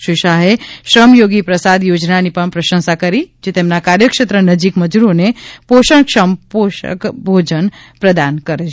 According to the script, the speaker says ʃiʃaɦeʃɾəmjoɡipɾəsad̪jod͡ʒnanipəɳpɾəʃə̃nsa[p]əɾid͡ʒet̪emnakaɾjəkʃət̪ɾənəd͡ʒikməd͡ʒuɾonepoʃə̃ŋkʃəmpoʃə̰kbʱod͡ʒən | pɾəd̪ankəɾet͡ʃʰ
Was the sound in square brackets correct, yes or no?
no